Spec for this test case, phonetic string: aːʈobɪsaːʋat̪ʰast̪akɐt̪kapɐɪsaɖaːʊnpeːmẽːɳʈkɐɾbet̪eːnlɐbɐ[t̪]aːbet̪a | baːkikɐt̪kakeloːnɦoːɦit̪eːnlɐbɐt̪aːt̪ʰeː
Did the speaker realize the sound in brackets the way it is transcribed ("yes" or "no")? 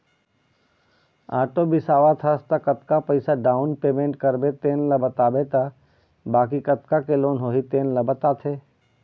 yes